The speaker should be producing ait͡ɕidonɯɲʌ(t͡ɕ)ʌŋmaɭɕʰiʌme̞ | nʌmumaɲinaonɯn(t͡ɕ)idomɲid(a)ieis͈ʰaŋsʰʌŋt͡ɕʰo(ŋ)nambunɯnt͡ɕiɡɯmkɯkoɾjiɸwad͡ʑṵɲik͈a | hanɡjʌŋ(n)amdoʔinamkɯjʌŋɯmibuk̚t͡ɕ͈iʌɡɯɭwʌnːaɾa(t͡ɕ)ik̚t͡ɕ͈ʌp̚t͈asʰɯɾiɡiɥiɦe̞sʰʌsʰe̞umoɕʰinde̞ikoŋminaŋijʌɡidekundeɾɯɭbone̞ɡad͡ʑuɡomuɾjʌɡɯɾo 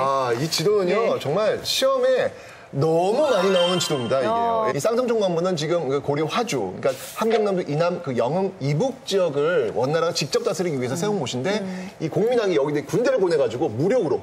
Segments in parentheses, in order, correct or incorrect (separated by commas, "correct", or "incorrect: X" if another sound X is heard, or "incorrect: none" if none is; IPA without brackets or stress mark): correct, correct, correct, correct, correct, correct